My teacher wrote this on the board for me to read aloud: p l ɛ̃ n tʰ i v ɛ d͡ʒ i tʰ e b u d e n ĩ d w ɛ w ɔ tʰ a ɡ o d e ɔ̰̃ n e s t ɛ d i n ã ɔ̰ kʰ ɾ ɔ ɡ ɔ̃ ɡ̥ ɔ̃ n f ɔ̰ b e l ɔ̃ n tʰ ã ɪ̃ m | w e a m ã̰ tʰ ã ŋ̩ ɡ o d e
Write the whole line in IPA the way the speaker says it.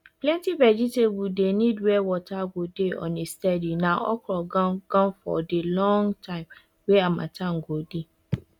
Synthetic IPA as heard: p l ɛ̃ n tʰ i v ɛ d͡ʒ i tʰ e b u d e n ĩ d w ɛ w ɔ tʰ a ɡ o d e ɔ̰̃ n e s t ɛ d i n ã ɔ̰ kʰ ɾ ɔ ɡ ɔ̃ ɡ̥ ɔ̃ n f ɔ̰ d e l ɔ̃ ŋ tʰ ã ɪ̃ m | w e a m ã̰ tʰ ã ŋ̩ ɡ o d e